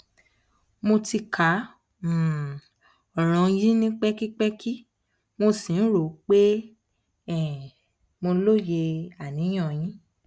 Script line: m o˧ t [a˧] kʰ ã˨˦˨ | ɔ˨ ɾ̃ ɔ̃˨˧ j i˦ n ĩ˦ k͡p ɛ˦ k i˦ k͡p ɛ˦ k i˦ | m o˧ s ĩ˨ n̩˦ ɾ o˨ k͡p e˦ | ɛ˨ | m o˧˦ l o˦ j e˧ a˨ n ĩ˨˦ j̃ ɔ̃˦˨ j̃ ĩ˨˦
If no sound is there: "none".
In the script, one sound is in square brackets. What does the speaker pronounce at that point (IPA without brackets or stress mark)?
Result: i˧